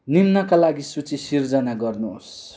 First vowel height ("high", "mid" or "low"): high